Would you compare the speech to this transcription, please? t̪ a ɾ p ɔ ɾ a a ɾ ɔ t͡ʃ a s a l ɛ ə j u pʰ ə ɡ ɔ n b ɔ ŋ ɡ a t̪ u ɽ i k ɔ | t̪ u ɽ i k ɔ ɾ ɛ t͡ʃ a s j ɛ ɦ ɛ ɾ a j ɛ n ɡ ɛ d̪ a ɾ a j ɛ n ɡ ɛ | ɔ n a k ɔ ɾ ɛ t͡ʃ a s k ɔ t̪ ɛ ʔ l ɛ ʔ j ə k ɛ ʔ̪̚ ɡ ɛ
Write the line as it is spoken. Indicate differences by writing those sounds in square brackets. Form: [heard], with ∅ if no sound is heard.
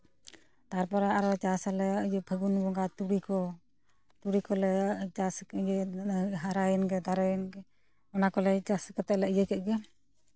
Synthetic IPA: t̪ a ɾ p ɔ ɾ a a ɾ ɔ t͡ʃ a s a l ɛ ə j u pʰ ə ɡ [u] n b ɔ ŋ ɡ a t̪ u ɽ i k ɔ | t̪ u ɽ i k ɔ [l] ɛ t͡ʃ a s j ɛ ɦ [a] ɾ a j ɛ n ɡ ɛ d̪ a ɾ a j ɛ n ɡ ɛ | ɔ n a k ɔ [l] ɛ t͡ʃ a s k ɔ t̪ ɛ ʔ l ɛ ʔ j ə k ɛ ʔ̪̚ ɡ ɛ